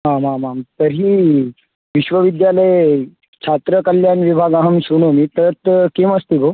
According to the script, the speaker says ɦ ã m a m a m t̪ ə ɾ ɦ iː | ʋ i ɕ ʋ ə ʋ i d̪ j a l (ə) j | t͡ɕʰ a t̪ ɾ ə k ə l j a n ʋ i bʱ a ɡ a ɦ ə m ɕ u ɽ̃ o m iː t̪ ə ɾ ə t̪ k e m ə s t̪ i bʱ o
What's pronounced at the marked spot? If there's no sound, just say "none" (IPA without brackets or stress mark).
ə